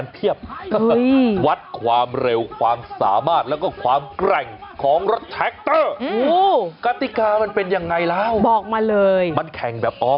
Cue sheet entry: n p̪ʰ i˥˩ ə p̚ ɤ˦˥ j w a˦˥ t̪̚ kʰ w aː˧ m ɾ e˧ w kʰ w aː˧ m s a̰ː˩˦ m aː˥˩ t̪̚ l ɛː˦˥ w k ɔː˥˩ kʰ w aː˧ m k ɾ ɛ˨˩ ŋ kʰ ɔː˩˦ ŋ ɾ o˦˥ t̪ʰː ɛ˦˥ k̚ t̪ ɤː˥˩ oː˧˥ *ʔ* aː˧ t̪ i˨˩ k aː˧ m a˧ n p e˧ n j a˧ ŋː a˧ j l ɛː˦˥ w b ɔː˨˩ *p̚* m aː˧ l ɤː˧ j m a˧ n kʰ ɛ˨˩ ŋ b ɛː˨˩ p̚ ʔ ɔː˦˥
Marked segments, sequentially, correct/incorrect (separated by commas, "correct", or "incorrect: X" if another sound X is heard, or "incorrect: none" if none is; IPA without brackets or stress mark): incorrect: k, incorrect: k̚